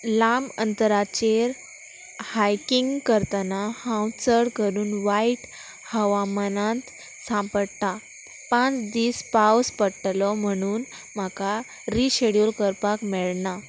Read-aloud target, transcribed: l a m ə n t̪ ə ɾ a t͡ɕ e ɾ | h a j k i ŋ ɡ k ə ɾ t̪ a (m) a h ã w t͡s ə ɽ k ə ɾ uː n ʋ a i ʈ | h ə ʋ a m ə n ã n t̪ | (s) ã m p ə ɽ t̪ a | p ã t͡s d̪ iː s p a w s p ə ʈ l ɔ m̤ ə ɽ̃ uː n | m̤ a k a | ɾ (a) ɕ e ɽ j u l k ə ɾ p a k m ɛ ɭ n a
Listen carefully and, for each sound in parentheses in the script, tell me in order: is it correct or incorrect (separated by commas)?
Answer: incorrect, correct, incorrect